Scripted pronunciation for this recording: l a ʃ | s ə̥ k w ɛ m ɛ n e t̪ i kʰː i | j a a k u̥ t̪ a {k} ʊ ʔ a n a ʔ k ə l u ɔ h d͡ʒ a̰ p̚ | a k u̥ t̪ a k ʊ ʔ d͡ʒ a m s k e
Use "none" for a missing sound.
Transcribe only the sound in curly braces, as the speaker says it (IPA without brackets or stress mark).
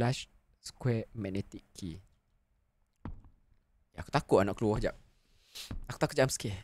k